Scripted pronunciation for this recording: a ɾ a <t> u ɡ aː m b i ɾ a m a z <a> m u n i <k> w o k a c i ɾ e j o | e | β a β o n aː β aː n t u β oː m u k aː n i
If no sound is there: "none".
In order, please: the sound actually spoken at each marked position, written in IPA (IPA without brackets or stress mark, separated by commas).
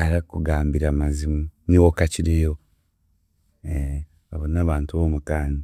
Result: k, i, none